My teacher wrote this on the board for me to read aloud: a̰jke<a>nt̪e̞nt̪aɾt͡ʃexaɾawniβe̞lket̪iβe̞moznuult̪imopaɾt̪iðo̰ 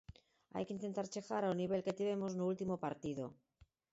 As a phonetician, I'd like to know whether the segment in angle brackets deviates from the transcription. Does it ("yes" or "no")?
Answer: yes